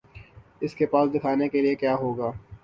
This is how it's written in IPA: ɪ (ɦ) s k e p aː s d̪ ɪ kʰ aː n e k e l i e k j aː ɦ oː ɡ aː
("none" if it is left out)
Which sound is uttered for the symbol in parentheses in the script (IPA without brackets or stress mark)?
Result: none